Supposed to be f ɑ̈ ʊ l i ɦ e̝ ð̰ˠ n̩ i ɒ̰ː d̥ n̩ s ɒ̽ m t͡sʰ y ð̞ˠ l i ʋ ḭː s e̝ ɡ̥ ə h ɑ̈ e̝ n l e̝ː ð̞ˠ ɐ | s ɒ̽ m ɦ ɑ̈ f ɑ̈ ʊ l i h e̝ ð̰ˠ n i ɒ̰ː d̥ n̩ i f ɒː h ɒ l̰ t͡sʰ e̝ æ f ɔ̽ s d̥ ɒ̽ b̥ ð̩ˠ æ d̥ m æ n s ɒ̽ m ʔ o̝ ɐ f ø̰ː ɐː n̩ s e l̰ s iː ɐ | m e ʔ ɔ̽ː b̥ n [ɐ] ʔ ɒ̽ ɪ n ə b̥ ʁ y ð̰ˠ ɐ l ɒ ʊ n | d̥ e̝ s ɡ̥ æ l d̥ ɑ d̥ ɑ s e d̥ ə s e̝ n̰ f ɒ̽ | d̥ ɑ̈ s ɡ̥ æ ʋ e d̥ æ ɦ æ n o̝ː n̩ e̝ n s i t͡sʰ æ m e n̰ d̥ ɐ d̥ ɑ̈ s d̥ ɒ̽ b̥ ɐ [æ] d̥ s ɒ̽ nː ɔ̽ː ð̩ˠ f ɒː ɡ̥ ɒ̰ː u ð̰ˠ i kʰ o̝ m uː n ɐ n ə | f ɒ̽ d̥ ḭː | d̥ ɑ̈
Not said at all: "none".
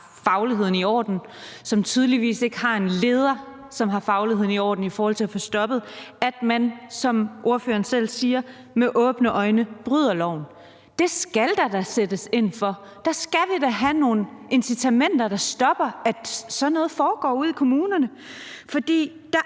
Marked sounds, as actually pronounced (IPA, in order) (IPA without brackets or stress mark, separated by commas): ə, æ